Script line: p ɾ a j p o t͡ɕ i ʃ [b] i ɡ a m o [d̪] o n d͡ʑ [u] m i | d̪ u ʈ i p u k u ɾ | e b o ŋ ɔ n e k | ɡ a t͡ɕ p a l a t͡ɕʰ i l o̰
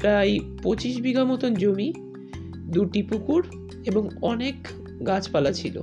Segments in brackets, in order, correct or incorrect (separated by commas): correct, incorrect, incorrect